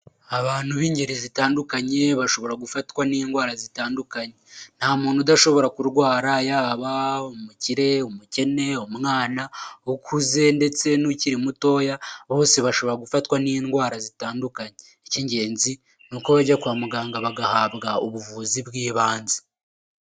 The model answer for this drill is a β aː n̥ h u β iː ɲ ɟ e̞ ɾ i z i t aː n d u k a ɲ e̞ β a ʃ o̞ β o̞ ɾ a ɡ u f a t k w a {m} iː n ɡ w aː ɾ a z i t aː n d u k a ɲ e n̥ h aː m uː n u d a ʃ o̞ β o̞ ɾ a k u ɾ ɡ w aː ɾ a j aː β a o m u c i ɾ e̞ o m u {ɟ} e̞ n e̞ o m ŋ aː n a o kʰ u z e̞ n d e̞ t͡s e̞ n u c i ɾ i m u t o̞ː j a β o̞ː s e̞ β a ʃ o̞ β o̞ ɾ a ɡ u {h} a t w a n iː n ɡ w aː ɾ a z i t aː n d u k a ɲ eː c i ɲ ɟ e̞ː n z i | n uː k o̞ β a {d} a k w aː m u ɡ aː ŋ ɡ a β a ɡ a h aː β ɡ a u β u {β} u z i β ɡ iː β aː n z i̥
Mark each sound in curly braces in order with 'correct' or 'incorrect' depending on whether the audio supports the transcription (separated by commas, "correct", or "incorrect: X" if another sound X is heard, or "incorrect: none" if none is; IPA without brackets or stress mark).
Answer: incorrect: n, incorrect: c, incorrect: f, incorrect: ɟ, incorrect: v